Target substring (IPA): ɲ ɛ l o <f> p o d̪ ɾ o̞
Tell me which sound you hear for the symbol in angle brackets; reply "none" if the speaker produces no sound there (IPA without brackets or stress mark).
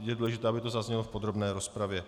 f